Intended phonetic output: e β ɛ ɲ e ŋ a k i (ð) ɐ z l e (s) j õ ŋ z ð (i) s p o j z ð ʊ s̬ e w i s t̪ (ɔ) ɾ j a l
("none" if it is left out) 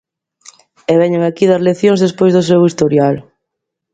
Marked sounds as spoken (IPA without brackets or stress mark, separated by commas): ð, θ, e, o